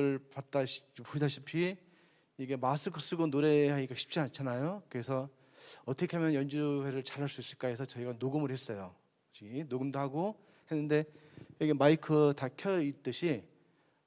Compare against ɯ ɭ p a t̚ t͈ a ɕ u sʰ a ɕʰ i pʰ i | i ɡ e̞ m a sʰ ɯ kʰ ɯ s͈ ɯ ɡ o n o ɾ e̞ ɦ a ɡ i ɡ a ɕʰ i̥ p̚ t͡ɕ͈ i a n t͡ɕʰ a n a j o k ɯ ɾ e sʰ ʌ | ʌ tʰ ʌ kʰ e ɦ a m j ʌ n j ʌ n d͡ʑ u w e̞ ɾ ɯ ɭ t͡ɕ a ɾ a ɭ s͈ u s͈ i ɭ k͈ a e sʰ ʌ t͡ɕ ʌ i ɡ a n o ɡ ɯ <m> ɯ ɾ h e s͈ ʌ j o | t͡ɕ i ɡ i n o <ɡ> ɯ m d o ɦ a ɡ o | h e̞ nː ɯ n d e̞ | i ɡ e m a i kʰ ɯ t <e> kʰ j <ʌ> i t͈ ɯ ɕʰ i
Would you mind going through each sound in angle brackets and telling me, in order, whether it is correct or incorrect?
correct, correct, incorrect: a, correct

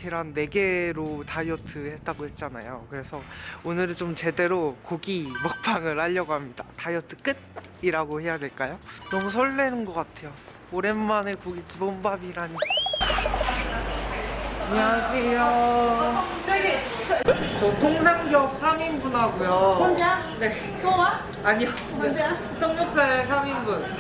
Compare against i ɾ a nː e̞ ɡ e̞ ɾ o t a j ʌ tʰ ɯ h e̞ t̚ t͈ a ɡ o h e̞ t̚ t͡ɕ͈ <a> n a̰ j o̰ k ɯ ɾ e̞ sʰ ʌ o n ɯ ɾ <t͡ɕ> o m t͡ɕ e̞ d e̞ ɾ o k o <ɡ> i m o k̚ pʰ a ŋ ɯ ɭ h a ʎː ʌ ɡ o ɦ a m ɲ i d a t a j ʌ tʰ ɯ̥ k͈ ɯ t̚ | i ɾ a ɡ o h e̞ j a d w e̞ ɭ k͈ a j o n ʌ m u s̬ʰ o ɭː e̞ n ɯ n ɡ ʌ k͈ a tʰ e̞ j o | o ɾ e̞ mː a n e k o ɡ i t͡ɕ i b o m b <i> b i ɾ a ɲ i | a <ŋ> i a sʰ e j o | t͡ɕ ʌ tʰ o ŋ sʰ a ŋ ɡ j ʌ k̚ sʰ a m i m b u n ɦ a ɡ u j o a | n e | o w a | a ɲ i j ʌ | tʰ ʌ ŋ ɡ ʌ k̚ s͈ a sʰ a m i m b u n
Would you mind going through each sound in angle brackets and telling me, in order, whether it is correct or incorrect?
correct, correct, correct, incorrect: a, incorrect: ɲ

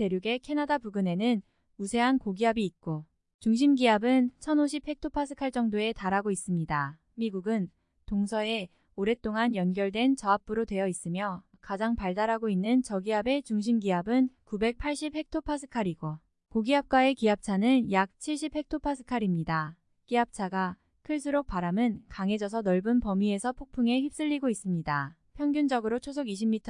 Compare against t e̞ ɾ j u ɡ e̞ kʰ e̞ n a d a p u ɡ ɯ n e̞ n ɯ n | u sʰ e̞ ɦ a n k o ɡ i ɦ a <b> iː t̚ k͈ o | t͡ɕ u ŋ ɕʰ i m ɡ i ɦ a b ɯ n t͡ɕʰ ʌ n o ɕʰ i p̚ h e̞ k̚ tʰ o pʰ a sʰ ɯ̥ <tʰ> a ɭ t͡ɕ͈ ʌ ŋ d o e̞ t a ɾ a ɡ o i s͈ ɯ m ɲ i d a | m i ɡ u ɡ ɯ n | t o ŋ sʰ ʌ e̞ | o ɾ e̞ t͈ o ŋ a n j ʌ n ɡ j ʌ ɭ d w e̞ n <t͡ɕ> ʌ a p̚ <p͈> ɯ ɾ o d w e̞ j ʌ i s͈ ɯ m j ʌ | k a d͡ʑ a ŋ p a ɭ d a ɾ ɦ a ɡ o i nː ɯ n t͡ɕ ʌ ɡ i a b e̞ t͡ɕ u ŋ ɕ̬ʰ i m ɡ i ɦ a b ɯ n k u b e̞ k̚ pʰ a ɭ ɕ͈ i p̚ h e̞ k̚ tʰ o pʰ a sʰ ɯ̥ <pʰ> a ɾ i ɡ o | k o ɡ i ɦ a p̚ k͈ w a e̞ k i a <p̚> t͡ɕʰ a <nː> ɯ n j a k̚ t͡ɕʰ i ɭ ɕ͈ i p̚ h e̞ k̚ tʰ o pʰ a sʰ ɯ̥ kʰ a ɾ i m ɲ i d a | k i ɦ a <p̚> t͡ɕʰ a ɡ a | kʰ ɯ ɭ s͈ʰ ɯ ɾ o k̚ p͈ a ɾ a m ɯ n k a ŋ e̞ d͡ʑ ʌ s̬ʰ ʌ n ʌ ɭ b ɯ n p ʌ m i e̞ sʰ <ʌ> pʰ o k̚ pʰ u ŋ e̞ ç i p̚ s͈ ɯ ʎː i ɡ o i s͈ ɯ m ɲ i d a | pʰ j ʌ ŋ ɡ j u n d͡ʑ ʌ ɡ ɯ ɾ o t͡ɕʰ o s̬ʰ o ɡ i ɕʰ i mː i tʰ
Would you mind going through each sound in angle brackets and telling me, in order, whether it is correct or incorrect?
correct, incorrect: kʰ, correct, correct, incorrect: kʰ, correct, incorrect: n, correct, correct

